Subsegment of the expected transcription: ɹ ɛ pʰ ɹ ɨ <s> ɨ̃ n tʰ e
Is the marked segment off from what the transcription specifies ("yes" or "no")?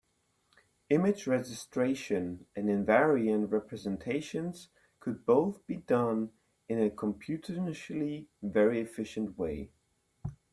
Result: yes